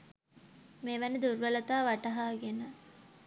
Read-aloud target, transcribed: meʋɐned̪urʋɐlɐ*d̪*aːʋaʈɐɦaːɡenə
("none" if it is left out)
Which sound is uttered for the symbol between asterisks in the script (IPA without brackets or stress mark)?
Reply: t̪